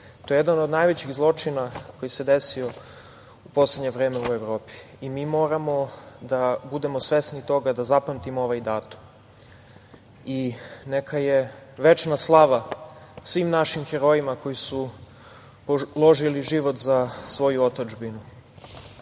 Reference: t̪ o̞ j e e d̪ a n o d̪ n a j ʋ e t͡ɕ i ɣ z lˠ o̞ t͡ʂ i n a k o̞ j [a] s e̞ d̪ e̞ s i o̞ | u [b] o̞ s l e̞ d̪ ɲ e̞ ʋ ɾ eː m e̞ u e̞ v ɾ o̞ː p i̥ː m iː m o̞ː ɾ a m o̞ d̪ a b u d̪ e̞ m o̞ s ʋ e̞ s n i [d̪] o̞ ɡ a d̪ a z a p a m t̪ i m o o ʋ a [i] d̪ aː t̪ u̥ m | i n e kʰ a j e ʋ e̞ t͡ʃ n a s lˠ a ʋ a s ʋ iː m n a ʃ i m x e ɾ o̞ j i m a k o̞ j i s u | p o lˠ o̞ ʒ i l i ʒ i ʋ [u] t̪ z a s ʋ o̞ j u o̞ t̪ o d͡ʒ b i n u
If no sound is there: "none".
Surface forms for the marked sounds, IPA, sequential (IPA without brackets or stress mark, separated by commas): i, p, t̪, j, o